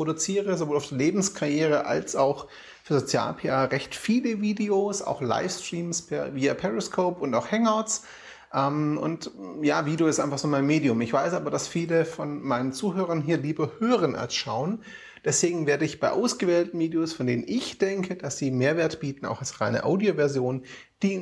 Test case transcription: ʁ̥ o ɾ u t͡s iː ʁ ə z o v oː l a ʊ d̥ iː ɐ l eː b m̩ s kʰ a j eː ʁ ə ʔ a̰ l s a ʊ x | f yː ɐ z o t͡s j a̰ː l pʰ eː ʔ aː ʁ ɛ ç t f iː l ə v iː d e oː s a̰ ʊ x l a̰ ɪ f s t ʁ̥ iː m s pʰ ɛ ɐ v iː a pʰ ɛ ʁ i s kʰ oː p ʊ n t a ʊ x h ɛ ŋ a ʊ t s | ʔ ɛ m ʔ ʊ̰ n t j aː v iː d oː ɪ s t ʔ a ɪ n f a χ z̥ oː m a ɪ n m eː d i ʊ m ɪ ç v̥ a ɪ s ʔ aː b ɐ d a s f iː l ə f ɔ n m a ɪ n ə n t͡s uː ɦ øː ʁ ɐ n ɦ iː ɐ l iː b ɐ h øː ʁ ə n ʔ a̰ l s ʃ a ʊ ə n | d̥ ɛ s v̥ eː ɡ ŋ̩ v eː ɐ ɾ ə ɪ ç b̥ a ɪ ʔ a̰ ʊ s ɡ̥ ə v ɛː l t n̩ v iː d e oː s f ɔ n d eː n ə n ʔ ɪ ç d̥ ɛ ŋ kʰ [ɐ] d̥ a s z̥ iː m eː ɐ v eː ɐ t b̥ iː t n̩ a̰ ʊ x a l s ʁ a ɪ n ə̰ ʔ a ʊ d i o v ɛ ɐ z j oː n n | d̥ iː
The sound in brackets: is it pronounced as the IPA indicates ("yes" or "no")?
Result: no